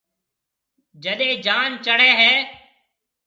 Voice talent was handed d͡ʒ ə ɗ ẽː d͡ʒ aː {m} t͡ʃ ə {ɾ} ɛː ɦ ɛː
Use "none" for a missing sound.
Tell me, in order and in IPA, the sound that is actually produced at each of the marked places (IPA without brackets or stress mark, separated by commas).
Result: n, ɽ